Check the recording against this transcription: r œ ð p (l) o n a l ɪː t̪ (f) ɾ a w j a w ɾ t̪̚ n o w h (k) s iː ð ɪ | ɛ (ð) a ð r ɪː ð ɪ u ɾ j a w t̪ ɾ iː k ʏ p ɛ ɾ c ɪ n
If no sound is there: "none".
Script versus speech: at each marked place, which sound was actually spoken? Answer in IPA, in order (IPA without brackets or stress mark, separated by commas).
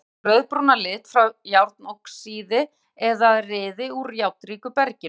ɾ, f, k, ð